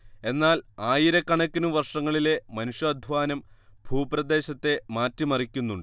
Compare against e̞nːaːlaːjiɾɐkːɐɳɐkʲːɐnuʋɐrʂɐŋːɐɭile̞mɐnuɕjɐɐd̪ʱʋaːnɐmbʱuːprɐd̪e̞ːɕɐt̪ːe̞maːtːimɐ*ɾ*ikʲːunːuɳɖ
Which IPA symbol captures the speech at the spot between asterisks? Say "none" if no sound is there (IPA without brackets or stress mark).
r